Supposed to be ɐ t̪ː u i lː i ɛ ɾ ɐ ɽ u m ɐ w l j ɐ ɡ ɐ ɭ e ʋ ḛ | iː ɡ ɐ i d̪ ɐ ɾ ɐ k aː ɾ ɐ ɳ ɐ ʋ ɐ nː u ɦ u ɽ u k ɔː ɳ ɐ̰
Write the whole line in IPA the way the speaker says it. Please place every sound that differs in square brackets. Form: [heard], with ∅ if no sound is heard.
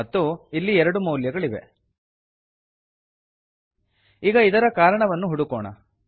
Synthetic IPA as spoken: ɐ t̪ː u i lː i ɛ ɾ ɐ ɽ u m ɐ w l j ɐ ɡ ɐ ɭ [i] ʋ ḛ | iː ɡ ɐ i d̪ ɐ ɾ ɐ k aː ɾ ɐ ɳ ɐ ʋ ɐ nː u ɦ u ɽ u k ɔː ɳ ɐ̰